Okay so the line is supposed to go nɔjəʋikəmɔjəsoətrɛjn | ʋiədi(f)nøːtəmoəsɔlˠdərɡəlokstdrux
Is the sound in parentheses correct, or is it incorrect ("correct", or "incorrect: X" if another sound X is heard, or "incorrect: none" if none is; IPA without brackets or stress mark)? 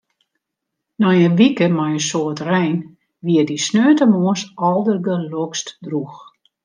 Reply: incorrect: s